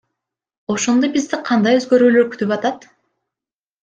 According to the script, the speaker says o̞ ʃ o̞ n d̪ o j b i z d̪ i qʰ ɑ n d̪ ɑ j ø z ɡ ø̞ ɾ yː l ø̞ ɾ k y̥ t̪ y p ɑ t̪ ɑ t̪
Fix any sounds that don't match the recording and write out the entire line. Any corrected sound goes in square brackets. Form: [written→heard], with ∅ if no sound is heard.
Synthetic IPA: o̞ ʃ o̞ n d̪ o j b i z d̪ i qʰ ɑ n d̪ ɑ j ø z ɡ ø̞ ɾ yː l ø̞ ɾ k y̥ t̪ y p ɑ t̪ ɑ t̪